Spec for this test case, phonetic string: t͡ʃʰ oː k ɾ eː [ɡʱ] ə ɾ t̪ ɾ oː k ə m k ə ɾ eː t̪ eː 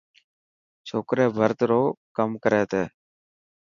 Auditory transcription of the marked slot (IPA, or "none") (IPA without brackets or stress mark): bʱ